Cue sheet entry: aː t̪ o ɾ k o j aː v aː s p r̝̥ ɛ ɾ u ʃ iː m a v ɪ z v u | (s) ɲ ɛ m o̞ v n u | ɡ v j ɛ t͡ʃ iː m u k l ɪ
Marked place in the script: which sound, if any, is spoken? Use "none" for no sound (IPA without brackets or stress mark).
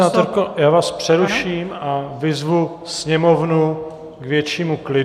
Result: s